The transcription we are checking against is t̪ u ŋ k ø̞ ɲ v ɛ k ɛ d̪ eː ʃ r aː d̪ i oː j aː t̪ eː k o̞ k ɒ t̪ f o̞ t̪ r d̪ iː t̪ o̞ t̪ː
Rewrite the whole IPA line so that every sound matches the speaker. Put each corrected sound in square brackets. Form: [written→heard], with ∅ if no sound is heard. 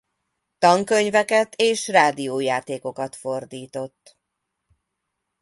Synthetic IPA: t̪ [u→ɒ] ŋ k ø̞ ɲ v ɛ k ɛ [d̪→t̪] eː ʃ r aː d̪ i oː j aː t̪ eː k o̞ k ɒ t̪ f o̞ [t̪→∅] r d̪ iː t̪ o̞ t̪ː